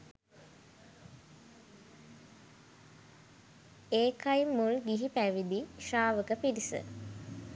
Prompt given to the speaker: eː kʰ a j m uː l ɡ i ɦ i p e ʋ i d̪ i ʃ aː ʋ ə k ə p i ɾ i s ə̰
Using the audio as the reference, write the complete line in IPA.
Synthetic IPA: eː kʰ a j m u l ɡ i ɦ i p æ ʋ i d̪ i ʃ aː ʋ ə k ə p i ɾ i s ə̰

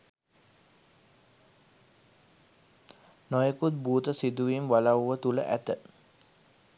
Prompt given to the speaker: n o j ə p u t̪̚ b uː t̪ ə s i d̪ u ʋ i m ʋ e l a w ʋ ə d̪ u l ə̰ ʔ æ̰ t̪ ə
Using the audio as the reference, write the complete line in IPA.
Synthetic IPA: n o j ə k u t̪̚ b uː t̪ ə s i d̪ u ʋ i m ʋ a l a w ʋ ə t̪ u l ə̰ ʔ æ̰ t̪ ə

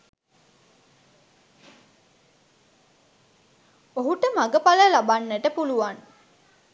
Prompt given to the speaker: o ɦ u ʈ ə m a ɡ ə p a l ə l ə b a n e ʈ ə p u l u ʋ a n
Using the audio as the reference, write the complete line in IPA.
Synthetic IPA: o ɦ u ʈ ə m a ɡ ə p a l ə l a b a nː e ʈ ə p u l u ʋ a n

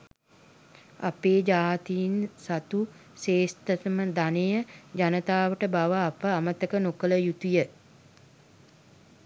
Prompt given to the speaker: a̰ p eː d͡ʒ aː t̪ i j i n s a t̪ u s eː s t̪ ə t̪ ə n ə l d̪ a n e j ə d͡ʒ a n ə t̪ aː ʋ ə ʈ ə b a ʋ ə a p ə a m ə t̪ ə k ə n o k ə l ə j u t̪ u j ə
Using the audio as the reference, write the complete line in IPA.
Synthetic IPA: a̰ p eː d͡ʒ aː t̪ i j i n s a t̪ u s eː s t̪ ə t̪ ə m ə d̪ a n e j ə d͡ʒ a n ə t̪ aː ʋ ə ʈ ə b a ʋ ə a p ə a m ə t̪ ə k ə n o k ə l ə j u t̪ u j ə

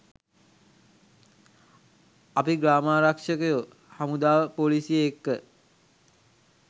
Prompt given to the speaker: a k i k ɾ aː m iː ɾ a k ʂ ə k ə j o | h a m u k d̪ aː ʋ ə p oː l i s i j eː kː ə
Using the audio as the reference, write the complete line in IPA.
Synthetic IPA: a p i ɡ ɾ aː m aː ɾ a k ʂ ə k ə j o | h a m u d̪ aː ʋ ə p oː l i s i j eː kː ə

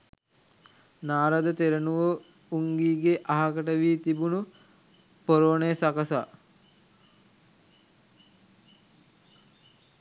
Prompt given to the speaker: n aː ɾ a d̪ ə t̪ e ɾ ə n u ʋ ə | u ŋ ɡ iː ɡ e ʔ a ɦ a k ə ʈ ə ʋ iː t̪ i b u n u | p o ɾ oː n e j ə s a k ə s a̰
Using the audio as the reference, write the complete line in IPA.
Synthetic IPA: n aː ɾ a d̪ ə t̪ e ɾ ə n u ʋ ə | u ŋ ɡ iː ɡ e ʔ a ɦ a k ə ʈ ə ʋ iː t̪ i b u n u | p o ɾ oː n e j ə s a k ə s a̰

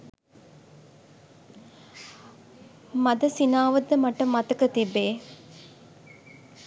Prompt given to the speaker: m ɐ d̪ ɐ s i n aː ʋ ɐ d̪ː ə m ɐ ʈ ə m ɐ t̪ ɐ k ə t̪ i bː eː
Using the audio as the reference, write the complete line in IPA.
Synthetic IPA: m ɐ d̪ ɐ s i n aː ʋ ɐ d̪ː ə m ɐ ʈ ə m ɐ t̪ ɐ k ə t̪ i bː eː

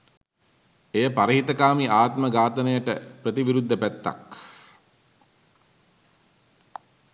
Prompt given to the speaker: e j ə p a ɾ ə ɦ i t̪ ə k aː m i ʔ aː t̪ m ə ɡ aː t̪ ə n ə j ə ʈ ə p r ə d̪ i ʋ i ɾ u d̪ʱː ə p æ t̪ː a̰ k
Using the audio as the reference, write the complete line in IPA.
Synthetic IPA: e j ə p a ɾ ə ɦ i t̪ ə k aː m i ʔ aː t̪ m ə ɡ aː t̪ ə n ə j ə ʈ ə p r ə t̪ i ʋ i ɾ u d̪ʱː ə p æ t̪ː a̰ k

